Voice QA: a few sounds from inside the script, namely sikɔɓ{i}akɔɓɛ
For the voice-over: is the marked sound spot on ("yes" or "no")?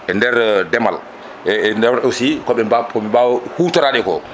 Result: no